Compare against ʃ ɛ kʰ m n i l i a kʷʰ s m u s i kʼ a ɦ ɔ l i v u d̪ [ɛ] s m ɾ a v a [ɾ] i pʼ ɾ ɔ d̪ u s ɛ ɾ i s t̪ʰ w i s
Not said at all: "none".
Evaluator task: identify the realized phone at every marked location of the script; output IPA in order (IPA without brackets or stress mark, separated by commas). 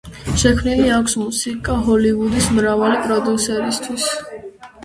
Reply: i, l